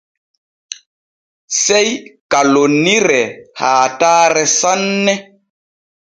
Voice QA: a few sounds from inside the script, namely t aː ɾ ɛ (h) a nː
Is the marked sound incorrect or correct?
incorrect: s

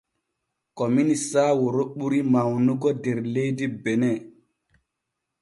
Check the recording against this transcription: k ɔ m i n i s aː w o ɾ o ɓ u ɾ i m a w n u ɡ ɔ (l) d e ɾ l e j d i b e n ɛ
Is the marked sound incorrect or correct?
incorrect: none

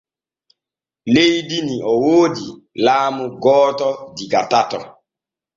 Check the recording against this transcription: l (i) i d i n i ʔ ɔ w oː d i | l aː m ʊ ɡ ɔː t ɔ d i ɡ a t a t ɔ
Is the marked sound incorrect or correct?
incorrect: e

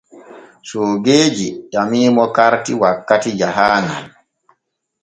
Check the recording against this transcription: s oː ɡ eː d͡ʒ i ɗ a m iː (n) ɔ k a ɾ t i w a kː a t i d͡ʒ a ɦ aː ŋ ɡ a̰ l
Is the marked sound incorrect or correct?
incorrect: m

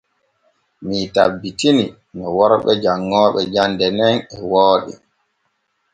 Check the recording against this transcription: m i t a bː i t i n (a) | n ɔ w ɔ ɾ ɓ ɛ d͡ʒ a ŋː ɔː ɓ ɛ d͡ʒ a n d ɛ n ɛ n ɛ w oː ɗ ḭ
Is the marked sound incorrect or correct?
incorrect: i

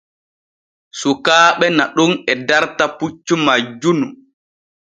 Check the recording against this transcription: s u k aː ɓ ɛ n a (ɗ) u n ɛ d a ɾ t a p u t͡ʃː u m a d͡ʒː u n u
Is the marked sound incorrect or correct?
correct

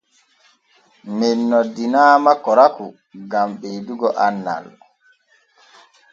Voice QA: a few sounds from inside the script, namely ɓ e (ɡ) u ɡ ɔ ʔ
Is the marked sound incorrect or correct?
incorrect: d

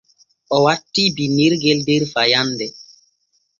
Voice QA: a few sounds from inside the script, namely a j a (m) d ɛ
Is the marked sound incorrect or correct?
incorrect: n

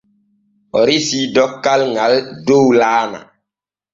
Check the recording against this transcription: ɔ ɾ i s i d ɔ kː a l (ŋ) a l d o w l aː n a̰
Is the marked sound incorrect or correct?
correct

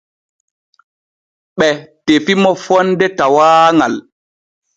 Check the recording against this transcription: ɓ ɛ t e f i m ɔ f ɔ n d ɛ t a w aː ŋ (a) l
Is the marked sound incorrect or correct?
correct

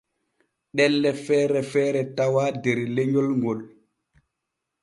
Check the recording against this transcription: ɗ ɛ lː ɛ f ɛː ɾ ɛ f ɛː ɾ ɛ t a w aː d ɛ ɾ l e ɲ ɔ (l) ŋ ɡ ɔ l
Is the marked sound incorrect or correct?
correct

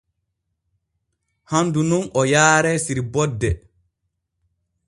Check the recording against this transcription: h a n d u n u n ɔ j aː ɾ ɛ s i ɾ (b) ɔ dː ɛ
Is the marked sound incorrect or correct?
correct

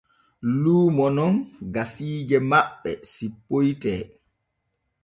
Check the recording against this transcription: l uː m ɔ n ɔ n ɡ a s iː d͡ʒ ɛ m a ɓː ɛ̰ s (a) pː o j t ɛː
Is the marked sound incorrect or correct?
incorrect: i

